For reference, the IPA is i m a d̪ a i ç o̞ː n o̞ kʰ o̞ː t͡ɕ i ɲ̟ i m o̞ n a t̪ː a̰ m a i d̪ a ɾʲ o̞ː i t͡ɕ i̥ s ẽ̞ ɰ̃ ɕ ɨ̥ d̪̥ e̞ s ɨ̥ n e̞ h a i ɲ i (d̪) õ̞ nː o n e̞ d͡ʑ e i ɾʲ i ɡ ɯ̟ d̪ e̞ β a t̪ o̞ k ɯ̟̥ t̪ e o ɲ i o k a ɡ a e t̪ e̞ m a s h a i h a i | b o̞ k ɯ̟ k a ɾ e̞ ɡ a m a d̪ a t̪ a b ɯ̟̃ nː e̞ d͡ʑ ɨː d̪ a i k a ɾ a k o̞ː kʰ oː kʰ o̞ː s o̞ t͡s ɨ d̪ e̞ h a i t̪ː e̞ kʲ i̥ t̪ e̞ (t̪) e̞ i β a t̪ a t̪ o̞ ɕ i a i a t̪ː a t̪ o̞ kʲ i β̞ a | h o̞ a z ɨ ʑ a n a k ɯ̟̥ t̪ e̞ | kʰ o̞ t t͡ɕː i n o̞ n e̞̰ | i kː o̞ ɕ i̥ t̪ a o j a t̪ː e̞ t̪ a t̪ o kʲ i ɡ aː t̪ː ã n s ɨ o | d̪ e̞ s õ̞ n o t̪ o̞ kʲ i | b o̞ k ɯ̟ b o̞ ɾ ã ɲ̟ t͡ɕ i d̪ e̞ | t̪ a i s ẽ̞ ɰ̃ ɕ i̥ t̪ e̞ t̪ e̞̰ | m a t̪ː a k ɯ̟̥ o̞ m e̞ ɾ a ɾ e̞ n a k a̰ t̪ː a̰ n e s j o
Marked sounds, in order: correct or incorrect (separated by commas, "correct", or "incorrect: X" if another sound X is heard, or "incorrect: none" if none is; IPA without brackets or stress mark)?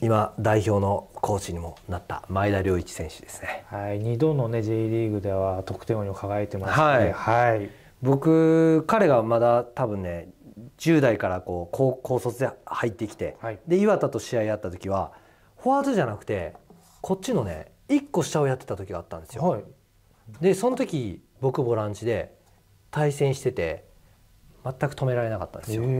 correct, incorrect: d̪